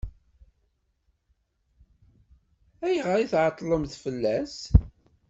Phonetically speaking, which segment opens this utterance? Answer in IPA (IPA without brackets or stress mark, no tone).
æ